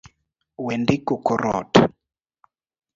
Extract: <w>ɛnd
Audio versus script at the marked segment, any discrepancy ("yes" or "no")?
no